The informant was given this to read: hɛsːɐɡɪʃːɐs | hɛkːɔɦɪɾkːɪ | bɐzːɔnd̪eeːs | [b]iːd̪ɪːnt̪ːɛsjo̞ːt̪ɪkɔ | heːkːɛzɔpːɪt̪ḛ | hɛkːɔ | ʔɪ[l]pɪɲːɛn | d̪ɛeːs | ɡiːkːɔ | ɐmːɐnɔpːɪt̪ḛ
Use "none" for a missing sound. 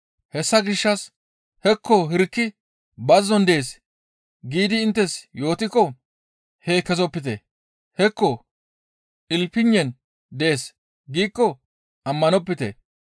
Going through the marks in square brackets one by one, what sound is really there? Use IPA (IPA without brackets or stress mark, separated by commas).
ɡ, l